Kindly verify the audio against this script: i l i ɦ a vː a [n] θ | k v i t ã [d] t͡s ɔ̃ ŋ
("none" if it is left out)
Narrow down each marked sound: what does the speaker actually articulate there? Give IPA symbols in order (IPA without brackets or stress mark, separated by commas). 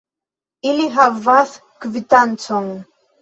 none, n